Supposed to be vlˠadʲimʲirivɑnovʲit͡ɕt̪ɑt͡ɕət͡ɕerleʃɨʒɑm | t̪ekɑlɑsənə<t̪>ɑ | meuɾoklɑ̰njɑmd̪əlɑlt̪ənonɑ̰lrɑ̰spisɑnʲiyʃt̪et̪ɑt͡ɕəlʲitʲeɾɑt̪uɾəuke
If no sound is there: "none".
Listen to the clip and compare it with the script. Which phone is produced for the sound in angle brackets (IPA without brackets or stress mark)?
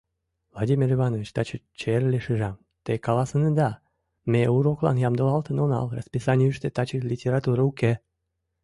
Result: d̪